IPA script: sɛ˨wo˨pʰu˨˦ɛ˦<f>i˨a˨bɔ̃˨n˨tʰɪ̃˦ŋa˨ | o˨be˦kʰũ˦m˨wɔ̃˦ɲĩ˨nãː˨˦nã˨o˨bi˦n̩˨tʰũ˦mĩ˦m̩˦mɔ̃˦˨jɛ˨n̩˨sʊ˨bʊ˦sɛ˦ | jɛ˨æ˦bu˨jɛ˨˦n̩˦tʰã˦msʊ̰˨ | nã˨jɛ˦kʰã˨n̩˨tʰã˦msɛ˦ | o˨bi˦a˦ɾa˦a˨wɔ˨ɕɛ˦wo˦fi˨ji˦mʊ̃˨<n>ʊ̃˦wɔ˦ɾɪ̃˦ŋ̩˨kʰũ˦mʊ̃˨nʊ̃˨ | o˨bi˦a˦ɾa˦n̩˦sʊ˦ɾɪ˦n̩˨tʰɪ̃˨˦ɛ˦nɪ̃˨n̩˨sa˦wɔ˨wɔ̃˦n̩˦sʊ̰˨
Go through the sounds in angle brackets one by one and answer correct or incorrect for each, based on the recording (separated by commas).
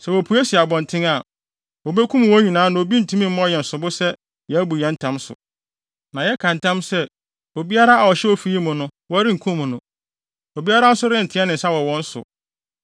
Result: incorrect, correct